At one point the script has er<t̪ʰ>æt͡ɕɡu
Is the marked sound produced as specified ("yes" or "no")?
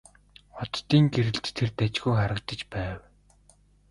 no